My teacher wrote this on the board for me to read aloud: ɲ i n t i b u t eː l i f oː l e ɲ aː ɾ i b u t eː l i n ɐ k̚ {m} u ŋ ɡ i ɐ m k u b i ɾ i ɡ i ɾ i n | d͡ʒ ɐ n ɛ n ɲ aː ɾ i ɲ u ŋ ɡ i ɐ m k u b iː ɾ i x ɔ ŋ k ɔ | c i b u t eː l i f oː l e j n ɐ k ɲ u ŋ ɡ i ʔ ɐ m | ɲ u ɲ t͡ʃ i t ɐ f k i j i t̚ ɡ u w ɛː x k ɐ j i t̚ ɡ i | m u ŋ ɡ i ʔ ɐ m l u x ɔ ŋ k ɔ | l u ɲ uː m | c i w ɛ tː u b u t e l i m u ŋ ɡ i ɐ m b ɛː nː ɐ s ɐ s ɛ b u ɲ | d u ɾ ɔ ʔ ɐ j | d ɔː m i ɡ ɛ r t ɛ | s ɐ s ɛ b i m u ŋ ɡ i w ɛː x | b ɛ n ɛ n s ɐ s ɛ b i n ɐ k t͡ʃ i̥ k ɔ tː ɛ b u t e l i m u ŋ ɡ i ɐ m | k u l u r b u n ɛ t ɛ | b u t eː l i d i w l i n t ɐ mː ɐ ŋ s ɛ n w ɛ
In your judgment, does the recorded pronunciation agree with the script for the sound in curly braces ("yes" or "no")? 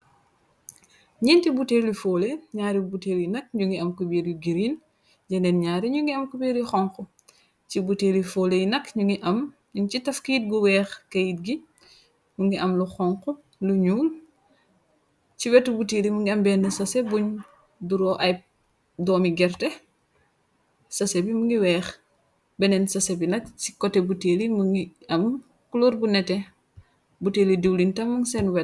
no